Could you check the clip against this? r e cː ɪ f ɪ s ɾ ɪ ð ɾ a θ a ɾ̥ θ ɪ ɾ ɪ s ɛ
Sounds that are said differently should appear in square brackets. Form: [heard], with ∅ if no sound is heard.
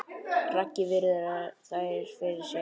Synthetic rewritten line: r [a] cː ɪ [v] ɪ [∅] ɾ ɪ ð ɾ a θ a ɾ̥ [f] ɪ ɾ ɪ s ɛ